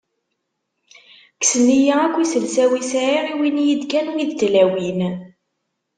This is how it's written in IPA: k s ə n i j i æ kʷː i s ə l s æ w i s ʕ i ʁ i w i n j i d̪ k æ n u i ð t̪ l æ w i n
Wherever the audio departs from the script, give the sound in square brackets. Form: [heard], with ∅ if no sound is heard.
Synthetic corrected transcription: k s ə n i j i æ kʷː i s ə l s æ w i s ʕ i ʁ i w i n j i d̪ k æ n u i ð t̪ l æ w i n

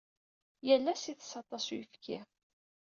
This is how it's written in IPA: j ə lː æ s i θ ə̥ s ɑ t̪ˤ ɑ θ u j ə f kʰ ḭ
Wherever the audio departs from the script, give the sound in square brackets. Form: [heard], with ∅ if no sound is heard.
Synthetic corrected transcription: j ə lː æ s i θ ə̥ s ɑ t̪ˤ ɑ [s] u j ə f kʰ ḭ

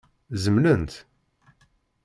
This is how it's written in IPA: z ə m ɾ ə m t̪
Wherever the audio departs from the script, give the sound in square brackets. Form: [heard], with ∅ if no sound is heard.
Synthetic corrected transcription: z ə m [l] ə [n] t̪

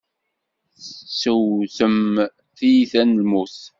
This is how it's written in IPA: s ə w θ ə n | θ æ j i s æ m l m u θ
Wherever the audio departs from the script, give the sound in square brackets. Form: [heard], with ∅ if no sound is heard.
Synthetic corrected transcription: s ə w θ ə [m] | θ [i] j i [θ] æ [n] l m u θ

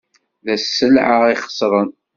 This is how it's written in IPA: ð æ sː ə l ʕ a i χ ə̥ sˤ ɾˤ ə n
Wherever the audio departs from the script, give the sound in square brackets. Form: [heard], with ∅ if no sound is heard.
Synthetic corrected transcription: ð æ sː ə l ʕ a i χ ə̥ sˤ ɾˤ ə n

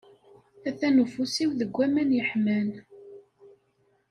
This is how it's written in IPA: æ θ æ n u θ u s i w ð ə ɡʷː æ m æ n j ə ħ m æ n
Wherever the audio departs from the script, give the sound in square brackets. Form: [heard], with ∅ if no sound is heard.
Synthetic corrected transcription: æ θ æ n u [f] u s i w ð ə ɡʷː æ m æ n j ə ħ m æ n

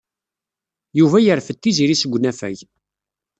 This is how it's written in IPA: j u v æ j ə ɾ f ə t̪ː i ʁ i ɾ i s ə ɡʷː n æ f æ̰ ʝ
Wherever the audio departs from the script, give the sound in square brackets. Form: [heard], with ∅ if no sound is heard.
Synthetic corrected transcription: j u v æ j ə ɾ f ə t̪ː i [z] i ɾ i s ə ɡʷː n æ f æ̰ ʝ

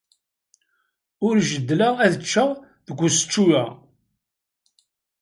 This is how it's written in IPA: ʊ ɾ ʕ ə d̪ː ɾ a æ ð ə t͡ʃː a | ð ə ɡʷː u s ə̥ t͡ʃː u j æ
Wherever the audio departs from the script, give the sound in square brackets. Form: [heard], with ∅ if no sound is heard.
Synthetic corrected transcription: ʊ ɾ [ʒ] ə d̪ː [l] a æ ð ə t͡ʃː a | ð ə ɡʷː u s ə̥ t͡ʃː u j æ

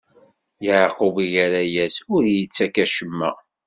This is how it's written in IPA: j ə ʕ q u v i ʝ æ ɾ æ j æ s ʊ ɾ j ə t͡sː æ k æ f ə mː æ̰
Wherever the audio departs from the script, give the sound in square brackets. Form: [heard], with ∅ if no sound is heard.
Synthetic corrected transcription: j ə ʕ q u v i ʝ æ ɾ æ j æ s ʊ ɾ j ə t͡sː æ k æ [ʃ] ə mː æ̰

